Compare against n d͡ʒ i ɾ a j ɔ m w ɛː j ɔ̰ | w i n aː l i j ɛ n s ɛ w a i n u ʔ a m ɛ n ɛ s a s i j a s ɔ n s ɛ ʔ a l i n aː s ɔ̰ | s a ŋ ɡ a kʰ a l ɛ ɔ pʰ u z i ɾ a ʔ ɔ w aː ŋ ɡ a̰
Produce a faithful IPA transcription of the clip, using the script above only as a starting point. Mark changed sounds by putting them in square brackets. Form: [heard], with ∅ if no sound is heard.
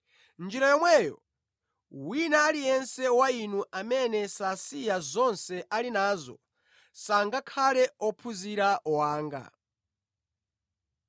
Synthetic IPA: n d͡ʒ i ɾ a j ɔ m w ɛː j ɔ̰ | w i n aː l i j ɛ n s ɛ w a i n u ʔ a m ɛ n ɛ s a s i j a [z] ɔ n s ɛ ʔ a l i n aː [z] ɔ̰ | s a ŋ ɡ a kʰ a l ɛ ɔ pʰ u z i ɾ a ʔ ɔ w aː ŋ ɡ a̰